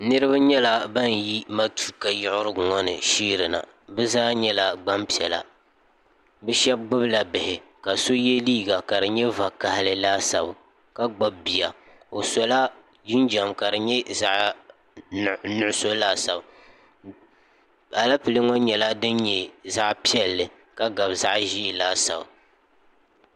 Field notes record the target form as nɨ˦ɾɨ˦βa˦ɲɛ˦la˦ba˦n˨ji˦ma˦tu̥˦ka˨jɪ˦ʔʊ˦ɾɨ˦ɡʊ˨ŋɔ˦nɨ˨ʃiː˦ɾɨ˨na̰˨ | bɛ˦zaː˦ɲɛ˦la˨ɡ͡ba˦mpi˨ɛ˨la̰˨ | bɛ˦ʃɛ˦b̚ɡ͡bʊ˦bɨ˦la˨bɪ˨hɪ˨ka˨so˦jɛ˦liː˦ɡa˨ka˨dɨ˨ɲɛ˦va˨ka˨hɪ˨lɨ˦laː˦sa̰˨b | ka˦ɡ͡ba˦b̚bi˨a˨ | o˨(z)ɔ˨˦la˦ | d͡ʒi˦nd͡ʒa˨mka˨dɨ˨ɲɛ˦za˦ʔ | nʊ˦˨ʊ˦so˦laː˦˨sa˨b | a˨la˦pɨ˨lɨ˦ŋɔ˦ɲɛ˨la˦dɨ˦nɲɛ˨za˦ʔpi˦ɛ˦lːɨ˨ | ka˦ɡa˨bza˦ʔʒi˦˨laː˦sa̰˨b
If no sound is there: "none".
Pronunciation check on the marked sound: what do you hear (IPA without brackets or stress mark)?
s